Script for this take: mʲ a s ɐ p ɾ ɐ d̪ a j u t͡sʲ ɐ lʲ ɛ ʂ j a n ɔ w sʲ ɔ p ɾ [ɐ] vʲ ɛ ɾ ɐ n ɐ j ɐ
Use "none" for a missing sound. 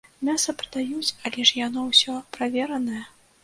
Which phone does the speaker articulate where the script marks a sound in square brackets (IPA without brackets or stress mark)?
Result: a